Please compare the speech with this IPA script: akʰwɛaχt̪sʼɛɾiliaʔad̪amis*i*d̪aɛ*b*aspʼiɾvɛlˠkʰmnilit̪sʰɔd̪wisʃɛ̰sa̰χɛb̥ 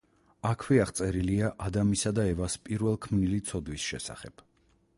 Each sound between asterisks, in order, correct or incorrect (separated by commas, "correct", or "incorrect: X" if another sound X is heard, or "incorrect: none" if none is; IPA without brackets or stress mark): incorrect: a, incorrect: v